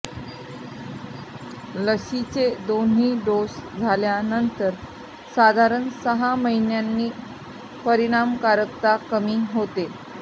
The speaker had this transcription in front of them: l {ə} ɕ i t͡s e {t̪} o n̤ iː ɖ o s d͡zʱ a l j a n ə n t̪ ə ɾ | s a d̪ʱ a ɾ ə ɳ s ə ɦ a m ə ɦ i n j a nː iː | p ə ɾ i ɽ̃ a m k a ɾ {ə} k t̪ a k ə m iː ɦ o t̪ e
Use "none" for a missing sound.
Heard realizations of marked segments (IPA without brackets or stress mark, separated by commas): ə, d̪, ə